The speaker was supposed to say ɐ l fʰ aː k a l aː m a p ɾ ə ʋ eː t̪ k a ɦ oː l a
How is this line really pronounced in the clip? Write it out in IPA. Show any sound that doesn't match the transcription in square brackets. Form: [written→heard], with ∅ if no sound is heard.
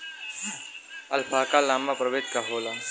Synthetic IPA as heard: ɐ l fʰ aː k a l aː m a p ɾ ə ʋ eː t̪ k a ɦ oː l a